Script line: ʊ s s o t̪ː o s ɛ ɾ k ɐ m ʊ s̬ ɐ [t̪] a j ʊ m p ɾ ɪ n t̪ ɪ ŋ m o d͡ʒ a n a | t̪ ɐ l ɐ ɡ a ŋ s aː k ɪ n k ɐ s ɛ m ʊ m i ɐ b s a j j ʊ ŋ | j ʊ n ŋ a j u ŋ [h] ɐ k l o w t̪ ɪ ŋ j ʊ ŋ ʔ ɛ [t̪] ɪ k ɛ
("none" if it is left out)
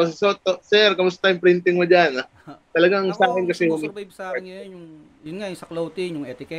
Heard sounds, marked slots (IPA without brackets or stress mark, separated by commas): t̪, s, t̪